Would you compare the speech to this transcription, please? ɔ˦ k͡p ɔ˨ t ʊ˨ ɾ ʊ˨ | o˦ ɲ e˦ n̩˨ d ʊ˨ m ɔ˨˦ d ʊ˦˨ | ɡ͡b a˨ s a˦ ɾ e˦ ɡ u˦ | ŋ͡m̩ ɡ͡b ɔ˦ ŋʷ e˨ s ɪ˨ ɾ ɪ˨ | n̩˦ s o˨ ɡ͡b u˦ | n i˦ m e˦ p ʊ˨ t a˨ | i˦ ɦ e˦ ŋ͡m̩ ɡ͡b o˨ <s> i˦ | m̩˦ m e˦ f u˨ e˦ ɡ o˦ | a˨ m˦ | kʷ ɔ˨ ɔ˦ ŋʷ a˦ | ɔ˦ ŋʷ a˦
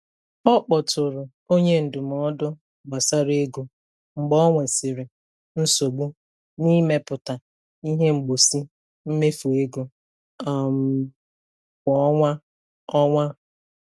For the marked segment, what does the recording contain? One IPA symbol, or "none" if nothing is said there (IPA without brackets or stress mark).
s